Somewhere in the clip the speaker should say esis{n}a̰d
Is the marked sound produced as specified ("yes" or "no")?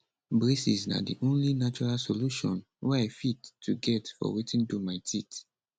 yes